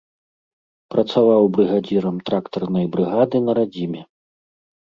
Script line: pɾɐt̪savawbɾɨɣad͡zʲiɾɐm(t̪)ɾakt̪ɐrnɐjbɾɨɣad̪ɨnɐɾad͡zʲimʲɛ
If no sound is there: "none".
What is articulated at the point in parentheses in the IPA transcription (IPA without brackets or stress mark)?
t̪